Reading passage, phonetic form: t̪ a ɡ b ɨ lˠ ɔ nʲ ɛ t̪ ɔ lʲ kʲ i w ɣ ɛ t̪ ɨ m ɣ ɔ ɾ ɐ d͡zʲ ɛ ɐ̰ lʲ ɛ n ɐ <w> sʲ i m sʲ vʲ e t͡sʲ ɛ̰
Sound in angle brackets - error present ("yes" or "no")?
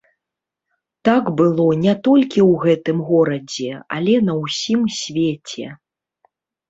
no